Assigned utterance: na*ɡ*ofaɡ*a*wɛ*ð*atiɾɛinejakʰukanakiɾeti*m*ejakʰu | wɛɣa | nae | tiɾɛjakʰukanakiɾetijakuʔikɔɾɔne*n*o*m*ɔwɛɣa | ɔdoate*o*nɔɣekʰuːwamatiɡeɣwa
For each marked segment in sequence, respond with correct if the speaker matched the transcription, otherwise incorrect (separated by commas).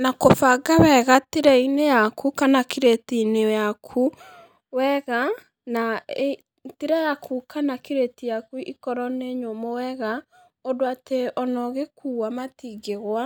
incorrect, correct, incorrect, incorrect, incorrect, correct, incorrect